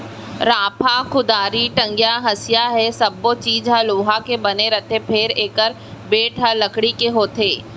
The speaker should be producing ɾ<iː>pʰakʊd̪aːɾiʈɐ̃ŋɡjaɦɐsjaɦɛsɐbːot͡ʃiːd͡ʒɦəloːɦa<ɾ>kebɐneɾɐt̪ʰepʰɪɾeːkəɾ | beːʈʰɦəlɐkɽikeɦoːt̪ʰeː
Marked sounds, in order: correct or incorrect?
incorrect: aː, incorrect: none

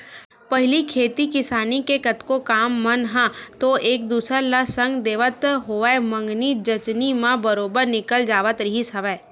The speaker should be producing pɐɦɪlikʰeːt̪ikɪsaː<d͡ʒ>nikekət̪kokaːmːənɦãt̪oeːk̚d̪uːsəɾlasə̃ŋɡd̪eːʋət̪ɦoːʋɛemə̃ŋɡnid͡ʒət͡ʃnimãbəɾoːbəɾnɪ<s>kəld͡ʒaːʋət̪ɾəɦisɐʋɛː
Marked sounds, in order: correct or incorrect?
incorrect: none, incorrect: none

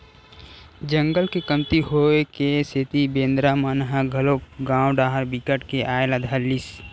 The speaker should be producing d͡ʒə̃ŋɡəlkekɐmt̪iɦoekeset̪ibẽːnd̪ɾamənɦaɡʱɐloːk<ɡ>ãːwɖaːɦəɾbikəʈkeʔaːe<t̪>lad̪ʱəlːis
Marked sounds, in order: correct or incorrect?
correct, incorrect: none

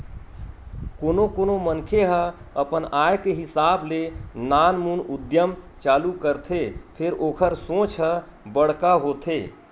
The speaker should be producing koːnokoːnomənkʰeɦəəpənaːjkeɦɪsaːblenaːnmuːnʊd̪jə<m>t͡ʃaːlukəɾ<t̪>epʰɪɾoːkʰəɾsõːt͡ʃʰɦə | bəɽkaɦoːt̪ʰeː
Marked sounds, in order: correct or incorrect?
correct, incorrect: t̪ʰ

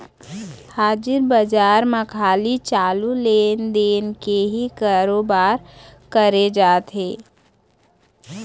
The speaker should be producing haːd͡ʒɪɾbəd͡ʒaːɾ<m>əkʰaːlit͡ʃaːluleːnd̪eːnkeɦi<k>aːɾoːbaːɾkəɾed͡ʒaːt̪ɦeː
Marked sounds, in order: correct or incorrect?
correct, correct

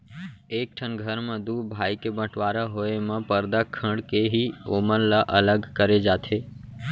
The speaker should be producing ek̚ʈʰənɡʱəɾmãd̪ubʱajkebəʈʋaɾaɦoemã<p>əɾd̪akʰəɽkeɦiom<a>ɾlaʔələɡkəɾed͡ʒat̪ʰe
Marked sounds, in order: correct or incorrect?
correct, incorrect: ə

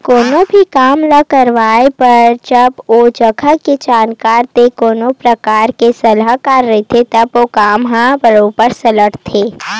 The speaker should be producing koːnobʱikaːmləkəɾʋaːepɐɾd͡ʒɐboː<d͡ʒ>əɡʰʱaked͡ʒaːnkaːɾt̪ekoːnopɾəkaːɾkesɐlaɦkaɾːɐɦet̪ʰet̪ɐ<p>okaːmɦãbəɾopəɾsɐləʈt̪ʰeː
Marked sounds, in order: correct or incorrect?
correct, incorrect: b

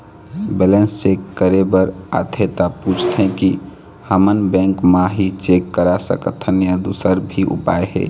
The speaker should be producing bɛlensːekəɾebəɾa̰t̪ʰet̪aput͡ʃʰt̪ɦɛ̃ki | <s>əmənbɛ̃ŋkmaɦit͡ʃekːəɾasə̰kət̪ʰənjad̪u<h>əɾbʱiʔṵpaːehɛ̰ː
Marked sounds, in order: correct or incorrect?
incorrect: h, incorrect: s

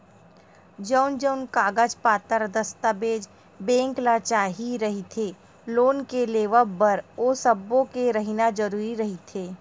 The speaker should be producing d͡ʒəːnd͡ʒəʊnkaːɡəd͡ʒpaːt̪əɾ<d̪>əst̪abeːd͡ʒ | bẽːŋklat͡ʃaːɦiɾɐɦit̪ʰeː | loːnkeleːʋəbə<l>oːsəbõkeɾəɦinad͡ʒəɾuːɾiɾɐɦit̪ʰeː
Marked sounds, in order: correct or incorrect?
correct, incorrect: ɾ

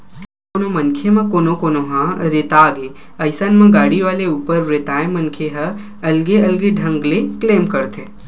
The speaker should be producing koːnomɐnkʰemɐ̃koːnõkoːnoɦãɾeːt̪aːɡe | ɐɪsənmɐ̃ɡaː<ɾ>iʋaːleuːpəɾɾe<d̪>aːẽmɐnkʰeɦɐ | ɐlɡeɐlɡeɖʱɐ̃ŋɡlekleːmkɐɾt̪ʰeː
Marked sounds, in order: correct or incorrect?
incorrect: ɽ, incorrect: t̪

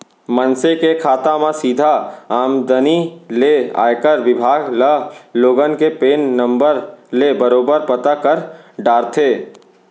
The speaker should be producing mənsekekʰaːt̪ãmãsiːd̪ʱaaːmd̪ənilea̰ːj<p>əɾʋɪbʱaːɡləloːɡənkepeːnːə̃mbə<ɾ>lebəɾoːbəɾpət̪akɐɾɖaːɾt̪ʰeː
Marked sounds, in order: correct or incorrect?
incorrect: k, correct

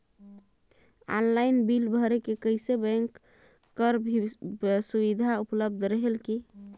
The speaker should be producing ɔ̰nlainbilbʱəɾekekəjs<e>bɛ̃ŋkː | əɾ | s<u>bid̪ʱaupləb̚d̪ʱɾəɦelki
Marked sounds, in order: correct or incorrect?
correct, correct

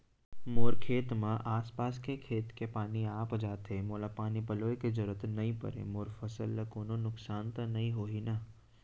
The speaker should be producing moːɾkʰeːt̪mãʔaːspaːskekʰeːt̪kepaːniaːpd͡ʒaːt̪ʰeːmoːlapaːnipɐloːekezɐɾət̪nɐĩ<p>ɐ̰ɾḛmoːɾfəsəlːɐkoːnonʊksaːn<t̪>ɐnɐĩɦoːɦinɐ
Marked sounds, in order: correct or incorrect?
correct, correct

